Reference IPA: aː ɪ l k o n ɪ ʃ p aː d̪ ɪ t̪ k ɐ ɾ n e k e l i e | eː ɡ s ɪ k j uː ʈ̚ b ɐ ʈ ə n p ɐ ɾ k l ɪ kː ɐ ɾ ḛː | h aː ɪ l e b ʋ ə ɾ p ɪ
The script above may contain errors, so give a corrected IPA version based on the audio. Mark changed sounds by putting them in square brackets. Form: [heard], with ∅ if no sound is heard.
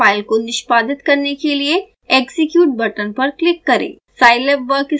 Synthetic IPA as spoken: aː ɪ l k o n ɪ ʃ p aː d̪ ɪ t̪ k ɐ ɾ n e k e l i e | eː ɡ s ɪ k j uː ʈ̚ b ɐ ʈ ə n p ɐ ɾ k l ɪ kː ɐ ɾ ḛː | [s] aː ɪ l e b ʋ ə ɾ [k] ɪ